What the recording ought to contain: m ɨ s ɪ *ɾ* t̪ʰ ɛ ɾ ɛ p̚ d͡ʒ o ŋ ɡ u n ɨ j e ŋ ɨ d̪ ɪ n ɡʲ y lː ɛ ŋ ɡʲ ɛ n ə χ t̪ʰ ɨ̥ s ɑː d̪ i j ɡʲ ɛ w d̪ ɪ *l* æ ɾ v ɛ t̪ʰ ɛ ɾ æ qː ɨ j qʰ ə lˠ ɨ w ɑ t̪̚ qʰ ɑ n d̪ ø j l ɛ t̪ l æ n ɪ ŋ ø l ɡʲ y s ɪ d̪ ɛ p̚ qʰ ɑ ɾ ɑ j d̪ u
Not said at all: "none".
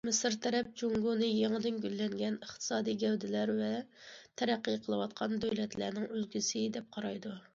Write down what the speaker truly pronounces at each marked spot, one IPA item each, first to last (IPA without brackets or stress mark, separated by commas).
ɾ, l